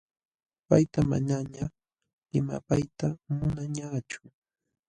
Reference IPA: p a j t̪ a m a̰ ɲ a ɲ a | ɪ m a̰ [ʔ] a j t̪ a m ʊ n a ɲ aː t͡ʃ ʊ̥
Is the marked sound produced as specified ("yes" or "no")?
no